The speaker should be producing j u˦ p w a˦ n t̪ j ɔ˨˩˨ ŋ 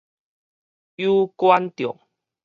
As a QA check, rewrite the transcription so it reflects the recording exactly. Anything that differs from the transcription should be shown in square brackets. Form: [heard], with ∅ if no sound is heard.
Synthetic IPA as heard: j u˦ [k] w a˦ n t̪ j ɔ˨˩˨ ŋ